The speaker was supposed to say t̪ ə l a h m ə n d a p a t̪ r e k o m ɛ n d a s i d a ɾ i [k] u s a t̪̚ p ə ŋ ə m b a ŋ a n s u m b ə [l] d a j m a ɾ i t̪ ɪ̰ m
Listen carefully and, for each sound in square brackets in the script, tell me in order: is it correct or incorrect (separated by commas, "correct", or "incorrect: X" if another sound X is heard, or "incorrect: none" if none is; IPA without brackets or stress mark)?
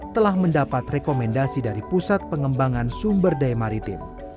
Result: incorrect: p, incorrect: r